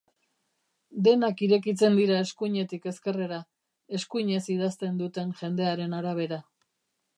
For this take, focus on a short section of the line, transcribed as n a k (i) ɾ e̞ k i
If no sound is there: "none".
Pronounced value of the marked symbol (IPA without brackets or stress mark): i